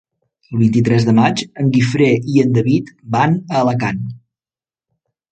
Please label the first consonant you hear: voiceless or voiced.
voiced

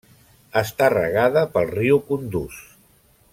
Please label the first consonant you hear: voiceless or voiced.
voiceless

